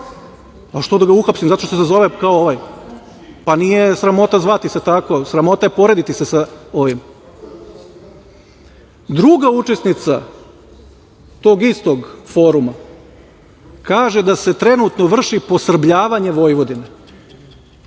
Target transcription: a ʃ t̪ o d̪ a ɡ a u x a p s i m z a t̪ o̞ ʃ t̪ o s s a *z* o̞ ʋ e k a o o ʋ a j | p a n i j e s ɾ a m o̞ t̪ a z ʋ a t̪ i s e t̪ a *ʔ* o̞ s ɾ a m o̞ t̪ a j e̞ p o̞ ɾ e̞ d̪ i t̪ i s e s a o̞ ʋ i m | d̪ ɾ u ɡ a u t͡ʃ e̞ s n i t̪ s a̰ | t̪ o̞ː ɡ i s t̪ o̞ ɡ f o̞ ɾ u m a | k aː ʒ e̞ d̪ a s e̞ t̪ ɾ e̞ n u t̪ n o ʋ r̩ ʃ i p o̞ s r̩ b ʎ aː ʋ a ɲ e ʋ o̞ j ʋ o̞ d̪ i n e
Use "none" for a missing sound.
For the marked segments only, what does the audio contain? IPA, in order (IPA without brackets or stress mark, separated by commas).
z, k